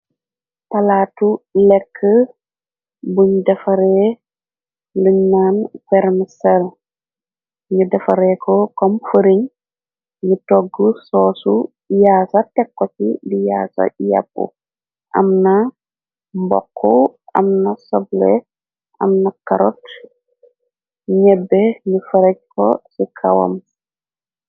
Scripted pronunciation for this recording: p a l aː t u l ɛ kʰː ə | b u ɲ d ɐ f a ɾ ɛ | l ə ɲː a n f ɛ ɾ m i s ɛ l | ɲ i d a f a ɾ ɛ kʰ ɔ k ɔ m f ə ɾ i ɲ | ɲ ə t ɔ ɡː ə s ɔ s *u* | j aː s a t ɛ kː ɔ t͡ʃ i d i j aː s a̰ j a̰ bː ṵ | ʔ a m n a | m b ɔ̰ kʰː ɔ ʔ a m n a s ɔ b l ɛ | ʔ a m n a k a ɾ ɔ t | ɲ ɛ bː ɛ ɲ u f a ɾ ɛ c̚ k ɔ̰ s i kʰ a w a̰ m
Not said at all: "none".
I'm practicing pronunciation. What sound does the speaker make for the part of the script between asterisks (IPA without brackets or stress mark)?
u